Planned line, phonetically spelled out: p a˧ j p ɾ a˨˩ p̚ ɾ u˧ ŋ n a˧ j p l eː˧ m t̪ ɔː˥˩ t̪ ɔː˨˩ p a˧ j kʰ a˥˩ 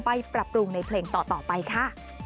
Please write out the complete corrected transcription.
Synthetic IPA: p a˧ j p ɾ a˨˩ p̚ ɾ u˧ ŋ n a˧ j pʰ l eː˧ ŋ t̪ ɔː˨˩ t̪ ɔː˨˩ p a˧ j kʰ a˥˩